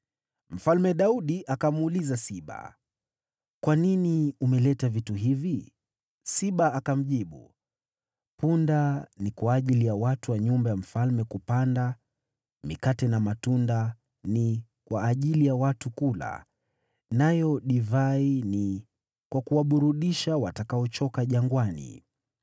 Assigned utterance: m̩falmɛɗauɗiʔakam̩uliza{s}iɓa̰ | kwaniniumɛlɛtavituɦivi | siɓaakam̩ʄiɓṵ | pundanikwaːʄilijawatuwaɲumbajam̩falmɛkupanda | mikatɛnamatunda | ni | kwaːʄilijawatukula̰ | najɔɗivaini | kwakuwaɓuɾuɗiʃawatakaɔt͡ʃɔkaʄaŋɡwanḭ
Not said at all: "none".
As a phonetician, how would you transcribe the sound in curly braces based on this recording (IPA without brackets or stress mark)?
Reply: s